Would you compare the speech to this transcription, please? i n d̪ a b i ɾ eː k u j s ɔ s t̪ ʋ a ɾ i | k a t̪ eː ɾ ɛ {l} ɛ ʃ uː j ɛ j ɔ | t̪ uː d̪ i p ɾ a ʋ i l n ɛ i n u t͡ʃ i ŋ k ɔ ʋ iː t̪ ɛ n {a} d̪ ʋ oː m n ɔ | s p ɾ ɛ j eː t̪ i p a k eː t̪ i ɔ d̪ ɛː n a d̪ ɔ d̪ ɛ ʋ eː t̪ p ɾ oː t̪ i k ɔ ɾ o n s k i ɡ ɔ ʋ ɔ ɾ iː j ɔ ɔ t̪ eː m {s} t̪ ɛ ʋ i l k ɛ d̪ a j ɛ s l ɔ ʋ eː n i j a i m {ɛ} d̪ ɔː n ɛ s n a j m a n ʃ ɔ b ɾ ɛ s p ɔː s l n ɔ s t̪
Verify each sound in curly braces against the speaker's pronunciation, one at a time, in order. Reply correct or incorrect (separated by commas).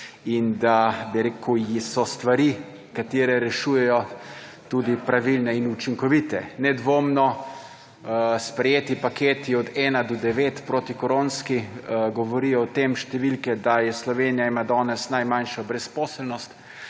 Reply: incorrect, incorrect, incorrect, incorrect